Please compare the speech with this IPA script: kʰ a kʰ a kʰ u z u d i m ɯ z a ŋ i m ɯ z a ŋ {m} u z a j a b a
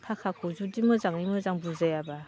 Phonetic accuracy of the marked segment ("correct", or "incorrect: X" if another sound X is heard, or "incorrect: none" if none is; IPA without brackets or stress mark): incorrect: b